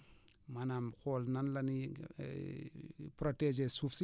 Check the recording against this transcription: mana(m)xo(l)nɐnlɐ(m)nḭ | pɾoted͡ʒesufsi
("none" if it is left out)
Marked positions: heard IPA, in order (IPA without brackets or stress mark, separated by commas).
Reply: m, l, none